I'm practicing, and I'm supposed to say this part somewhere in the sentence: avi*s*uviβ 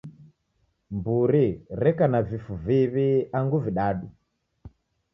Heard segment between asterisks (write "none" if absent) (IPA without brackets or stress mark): f